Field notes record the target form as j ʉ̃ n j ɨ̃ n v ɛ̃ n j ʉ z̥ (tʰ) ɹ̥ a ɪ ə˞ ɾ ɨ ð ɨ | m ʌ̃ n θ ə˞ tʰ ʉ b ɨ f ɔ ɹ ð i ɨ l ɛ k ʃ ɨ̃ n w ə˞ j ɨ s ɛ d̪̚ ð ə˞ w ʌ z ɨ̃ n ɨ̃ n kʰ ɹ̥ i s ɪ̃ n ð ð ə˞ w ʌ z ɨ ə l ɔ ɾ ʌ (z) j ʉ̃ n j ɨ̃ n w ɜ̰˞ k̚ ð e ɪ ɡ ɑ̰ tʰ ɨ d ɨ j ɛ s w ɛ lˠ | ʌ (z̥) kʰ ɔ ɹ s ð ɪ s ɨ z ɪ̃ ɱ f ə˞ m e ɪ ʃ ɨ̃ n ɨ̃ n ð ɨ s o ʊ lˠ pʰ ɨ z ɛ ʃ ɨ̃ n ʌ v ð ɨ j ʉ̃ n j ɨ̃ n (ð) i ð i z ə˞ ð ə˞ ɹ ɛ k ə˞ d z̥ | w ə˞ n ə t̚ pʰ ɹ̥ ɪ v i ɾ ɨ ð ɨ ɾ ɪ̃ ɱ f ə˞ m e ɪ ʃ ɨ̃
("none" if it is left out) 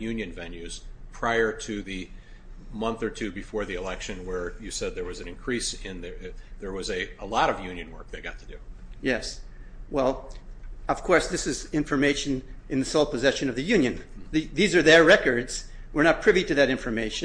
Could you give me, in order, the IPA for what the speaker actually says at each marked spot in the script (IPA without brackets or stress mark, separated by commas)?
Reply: pʰ, v, v̥, ð